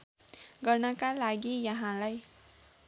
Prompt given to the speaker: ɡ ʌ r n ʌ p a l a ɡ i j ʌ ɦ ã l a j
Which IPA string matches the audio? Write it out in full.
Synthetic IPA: ɡ ʌ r n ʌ k a l a ɡ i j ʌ ɦ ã l a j